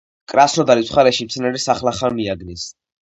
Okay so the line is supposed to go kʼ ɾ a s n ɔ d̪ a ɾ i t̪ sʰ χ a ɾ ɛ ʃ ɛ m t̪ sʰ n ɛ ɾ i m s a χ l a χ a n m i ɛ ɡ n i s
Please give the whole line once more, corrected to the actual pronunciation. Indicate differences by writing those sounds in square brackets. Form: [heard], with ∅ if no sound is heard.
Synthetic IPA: kʼ ɾ a s n ɔ d̪ a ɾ i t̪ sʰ χ a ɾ ɛ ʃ [i] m t̪ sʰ n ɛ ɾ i [∅] s a χ l a χ a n m i [a] ɡ n i s